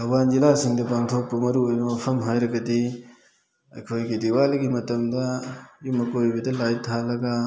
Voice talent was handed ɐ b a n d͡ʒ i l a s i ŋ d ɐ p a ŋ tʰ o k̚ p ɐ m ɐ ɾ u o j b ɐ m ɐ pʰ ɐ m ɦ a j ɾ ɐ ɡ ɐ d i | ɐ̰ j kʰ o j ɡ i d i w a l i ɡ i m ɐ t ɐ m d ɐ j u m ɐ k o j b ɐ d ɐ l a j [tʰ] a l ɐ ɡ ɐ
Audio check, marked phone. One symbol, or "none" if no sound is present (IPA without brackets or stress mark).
tʰ